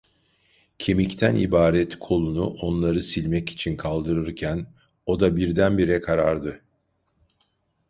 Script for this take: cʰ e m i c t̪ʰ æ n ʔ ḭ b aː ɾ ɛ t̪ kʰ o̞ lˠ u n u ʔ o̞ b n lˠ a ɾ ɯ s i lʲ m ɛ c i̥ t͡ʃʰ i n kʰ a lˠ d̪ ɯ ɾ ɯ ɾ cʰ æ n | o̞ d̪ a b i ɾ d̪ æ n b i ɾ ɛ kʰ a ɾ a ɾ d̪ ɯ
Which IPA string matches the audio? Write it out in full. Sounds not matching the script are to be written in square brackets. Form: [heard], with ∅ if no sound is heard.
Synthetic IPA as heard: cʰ e m i c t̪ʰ æ n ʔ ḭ b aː ɾ ɛ t̪ kʰ o̞ lˠ u n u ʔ o̞ [∅] n lˠ a ɾ ɯ s i lʲ m ɛ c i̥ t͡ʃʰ i n kʰ a lˠ d̪ ɯ ɾ ɯ ɾ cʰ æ n | o̞ d̪ a b i ɾ d̪ æ n b i ɾ ɛ kʰ a ɾ a ɾ d̪ ɯ